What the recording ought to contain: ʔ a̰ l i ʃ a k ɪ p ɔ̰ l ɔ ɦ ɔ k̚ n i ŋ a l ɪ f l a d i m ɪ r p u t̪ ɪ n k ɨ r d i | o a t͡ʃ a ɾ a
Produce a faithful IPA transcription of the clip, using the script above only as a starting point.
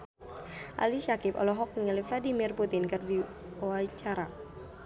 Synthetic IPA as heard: ʔ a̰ l i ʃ a k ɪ p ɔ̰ l ɔ ɦ ɔ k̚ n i ŋ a l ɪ f l a d i m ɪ r p u t̪ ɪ n k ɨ r d i | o a t͡ʃ a ɾ a